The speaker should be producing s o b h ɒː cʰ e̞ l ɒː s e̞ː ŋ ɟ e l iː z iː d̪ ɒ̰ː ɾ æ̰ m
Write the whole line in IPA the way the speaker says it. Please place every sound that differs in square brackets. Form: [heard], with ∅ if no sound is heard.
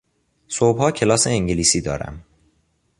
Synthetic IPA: s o b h ɒː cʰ e̞ l ɒː s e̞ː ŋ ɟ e l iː [s] iː d̪ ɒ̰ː ɾ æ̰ m

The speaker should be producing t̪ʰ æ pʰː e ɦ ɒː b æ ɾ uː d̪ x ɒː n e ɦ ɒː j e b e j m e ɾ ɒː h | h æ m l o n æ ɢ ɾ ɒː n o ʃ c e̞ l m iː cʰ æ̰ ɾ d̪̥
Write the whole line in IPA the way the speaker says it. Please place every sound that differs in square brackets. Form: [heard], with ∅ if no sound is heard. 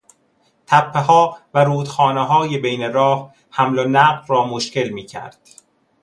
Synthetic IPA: t̪ʰ æ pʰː e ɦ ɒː [v] æ ɾ uː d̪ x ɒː n e ɦ ɒː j e b e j [n] e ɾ ɒː h | h æ m l o n æ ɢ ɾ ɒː [m] o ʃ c e̞ l m iː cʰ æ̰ ɾ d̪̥

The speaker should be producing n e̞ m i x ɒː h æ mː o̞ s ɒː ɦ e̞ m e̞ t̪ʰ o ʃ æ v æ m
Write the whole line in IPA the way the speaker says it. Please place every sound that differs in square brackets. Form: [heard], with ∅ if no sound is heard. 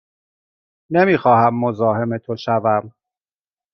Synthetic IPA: n e̞ m [iː] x ɒː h æ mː o̞ [z] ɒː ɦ e̞ m e̞ t̪ʰ o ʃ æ v æ m

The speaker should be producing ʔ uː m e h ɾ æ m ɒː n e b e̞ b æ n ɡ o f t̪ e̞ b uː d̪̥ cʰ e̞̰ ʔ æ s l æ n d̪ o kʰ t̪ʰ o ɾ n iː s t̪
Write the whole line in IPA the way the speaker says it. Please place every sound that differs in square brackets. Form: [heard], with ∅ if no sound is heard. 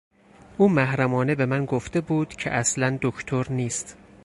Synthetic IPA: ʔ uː m [æ] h ɾ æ m ɒː n e b e̞ [m] æ n ɡ o f t̪ e̞ b uː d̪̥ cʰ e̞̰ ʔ æ s l æ n d̪ o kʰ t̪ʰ o ɾ n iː s t̪

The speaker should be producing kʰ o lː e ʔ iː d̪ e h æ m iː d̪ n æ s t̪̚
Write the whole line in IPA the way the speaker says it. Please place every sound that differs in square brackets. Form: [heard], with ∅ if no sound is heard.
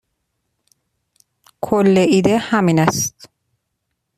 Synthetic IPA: kʰ o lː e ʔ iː d̪ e h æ m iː [∅] n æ s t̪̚

